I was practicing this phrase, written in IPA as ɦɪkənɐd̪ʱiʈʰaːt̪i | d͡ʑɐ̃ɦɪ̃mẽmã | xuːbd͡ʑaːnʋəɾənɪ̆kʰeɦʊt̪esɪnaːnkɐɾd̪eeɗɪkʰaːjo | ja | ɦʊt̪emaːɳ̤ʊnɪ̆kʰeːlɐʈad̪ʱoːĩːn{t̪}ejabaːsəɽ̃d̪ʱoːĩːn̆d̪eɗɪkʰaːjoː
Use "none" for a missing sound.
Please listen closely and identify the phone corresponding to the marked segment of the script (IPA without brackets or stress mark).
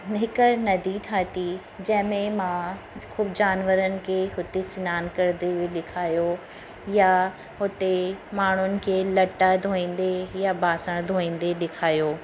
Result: d̪